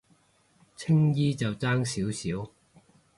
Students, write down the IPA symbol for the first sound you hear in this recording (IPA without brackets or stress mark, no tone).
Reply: t͡sʰ